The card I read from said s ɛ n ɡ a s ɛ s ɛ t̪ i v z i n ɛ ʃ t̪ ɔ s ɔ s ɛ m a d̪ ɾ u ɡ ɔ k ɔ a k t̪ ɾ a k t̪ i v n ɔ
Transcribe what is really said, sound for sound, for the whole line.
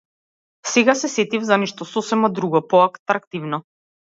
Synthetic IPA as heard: s ɛ ɡ a s ɛ s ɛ t̪ i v z a n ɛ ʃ t̪ ɔ s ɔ s ɛ m a d̪ ɾ u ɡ ɔ p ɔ a k t̪ ɾ a k t̪ i v n ɔ